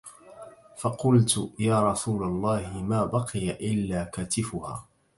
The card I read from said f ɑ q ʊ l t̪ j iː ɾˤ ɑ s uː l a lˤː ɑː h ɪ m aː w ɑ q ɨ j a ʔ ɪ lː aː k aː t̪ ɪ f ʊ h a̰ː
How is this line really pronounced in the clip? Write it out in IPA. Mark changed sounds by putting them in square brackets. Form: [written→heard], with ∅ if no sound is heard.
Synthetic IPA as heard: f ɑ q ʊ l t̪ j [iː→aː] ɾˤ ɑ s uː l a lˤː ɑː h ɪ m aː [w→b] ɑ q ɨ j a ʔ ɪ lː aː k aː t̪ ɪ f ʊ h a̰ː